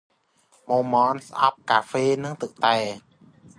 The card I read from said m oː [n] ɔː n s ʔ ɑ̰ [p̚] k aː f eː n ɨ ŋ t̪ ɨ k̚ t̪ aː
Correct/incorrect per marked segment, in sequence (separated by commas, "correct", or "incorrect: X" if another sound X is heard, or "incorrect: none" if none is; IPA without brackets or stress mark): incorrect: m, correct